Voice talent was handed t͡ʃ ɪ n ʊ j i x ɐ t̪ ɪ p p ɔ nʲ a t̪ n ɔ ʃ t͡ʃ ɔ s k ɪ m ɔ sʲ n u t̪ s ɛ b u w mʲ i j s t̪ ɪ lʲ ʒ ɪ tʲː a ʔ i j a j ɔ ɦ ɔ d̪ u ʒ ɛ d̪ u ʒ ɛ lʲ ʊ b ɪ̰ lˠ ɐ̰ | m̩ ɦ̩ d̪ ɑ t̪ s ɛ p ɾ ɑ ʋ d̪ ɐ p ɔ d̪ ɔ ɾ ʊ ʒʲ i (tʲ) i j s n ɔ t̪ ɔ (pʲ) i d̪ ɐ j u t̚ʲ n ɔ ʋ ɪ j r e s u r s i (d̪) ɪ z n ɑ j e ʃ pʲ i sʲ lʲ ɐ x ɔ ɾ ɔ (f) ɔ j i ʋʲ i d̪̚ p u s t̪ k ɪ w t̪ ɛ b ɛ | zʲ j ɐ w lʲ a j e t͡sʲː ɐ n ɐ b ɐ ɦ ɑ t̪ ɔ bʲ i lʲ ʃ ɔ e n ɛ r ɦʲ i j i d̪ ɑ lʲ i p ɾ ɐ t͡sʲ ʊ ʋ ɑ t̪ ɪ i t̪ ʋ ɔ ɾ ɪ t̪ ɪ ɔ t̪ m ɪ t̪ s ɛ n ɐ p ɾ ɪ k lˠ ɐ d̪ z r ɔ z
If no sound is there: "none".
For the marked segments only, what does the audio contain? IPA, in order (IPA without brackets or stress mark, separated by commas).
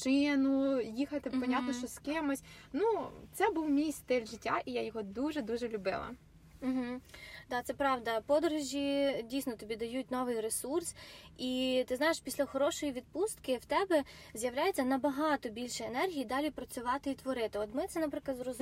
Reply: dʲ, bʲ, t̪, ʃ